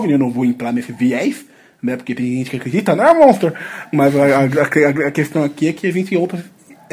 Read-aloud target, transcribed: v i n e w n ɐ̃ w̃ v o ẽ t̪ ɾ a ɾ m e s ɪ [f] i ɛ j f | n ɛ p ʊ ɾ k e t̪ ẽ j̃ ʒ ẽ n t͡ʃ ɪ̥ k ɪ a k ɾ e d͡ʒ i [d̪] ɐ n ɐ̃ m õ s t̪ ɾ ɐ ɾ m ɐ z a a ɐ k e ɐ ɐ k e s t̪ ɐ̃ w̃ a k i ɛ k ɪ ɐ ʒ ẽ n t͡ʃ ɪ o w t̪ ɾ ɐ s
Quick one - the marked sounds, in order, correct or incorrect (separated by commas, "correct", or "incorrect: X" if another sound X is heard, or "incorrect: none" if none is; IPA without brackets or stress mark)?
incorrect: v, incorrect: t̪